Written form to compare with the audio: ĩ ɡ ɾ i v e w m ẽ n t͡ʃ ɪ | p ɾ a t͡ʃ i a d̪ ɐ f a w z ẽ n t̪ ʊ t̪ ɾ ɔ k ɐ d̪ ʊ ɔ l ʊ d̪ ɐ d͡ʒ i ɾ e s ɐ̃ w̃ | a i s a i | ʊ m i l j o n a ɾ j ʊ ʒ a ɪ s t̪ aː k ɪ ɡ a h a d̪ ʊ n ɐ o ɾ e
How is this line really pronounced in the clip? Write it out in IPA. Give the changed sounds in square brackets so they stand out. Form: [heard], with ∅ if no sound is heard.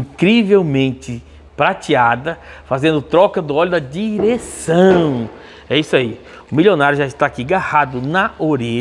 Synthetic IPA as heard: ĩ [k] ɾ i v e w m ẽ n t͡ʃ ɪ | p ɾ a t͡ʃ i a d̪ ɐ f a [∅] z ẽ n [d̪] ʊ t̪ ɾ ɔ k ɐ d̪ ʊ ɔ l ʊ d̪ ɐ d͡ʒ i ɾ e s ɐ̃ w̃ | [ɛ] i s a i | ʊ m i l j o n a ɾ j ʊ ʒ a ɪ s t̪ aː k [i] ɡ a h a d̪ ʊ n ɐ o ɾ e